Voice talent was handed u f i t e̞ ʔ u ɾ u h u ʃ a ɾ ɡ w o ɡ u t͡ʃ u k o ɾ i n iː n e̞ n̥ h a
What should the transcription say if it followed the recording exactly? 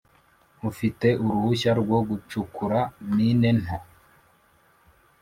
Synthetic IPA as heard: u f i t e̞ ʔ u ɾ u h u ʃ a ɾ ɡ w o ɡ u t͡ʃ u k u ɾ a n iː n e̞ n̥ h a